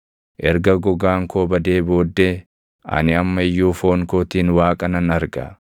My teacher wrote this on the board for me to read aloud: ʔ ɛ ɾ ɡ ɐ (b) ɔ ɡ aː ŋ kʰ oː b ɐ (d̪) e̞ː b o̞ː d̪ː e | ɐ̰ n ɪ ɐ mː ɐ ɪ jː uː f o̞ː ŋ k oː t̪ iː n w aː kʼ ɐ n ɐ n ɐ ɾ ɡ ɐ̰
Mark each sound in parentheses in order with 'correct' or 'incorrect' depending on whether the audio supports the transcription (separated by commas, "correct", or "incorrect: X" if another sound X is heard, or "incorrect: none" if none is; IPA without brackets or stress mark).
incorrect: ɡ, correct